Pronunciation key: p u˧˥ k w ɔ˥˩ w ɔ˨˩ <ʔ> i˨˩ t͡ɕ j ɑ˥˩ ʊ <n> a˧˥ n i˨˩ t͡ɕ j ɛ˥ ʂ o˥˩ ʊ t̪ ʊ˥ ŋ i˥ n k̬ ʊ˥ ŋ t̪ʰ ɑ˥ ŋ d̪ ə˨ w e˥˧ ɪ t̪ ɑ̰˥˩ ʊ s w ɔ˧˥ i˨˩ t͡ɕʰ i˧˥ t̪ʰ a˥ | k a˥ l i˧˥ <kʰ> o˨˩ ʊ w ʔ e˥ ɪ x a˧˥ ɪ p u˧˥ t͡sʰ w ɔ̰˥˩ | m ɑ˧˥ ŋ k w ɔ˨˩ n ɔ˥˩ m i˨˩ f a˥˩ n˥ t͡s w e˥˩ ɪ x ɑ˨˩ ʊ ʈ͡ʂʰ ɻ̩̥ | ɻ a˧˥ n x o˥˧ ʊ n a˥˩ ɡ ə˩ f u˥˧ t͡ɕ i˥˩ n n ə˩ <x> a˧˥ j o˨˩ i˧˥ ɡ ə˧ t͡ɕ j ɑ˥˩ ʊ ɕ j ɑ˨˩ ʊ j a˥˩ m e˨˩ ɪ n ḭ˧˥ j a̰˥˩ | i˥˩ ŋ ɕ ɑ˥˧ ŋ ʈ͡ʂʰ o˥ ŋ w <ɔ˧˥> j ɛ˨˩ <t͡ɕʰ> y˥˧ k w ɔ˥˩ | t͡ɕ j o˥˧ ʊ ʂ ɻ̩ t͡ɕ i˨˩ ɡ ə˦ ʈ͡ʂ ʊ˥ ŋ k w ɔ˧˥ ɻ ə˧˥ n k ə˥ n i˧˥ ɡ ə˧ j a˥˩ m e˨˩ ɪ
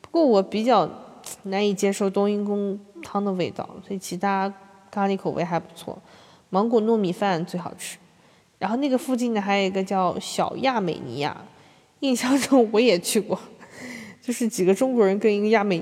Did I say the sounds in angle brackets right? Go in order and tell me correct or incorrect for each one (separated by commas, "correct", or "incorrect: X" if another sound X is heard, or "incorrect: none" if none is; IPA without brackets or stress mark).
incorrect: p, correct, correct, correct, correct, correct